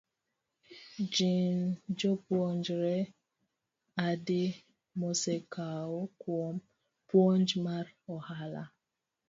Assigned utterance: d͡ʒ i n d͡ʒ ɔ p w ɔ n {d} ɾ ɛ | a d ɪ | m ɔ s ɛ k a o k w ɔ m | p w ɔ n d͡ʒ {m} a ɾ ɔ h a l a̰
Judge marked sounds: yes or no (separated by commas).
no, yes